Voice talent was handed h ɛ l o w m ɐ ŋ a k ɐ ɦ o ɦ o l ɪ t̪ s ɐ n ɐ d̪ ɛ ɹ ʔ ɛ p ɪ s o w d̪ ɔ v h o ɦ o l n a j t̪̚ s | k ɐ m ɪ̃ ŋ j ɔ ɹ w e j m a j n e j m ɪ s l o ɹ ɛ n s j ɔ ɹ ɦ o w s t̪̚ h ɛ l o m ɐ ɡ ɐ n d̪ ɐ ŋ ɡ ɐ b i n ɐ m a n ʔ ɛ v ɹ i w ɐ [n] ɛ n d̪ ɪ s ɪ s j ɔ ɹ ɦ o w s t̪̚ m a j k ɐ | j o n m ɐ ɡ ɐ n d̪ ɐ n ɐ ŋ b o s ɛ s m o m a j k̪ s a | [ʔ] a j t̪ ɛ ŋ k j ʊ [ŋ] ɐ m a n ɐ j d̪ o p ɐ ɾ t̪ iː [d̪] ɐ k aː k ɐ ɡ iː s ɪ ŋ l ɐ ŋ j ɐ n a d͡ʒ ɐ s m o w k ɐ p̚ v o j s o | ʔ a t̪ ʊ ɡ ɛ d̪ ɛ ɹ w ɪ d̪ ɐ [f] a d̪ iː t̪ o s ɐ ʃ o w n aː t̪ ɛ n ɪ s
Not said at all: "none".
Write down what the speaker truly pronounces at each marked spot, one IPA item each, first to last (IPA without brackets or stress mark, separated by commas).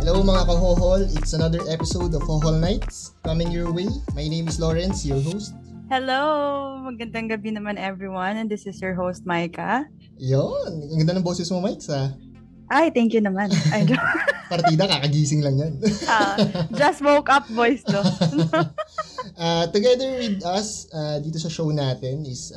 n, ʔ, n, d̪, s